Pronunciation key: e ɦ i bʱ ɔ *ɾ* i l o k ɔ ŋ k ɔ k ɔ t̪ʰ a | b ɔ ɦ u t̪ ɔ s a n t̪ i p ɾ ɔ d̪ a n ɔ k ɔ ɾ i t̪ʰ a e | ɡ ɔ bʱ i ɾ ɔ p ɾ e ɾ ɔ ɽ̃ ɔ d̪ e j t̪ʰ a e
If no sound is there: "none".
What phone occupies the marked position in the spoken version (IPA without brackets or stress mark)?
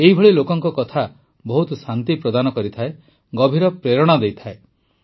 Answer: ɭ